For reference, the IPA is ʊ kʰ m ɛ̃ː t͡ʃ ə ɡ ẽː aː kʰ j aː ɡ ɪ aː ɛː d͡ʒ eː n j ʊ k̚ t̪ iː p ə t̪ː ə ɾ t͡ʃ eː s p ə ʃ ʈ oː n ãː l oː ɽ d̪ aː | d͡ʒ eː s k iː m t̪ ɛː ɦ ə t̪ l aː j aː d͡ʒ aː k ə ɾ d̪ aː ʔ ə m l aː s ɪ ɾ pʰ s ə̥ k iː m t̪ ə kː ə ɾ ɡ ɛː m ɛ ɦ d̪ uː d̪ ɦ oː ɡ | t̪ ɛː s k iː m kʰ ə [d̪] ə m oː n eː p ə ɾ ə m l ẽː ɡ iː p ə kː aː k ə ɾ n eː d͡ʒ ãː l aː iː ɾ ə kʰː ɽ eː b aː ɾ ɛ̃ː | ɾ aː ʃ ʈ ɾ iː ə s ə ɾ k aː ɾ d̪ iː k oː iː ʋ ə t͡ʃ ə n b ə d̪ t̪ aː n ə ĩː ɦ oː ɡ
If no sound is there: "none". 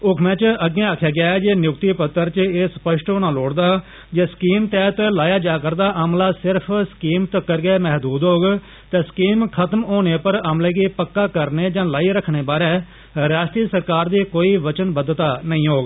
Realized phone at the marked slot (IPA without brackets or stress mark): t̪